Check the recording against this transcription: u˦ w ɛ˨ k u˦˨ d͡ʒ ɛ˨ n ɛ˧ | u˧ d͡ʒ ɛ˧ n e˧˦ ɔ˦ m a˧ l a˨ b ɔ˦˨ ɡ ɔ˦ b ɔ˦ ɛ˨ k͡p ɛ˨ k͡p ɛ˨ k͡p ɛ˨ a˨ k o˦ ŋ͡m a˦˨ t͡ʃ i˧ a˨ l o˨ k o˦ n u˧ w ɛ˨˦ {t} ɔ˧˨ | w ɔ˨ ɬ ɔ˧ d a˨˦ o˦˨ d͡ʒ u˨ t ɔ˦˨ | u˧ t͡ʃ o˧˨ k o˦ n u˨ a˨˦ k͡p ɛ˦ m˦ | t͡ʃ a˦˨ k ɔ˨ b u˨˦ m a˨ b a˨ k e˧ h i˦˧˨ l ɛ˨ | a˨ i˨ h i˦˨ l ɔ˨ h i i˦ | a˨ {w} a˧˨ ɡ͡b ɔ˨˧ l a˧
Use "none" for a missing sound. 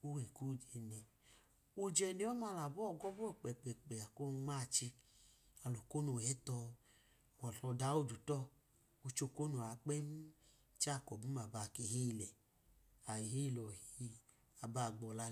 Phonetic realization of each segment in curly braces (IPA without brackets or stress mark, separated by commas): t, b